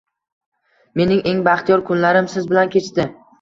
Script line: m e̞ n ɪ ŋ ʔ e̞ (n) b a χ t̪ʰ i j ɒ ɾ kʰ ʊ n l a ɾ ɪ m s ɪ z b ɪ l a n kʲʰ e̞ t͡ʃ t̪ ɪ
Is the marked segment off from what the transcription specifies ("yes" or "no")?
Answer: yes